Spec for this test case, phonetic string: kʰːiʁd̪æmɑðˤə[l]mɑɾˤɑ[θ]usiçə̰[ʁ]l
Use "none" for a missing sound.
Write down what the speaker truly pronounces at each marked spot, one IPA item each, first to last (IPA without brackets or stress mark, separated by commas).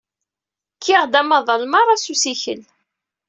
l, s, none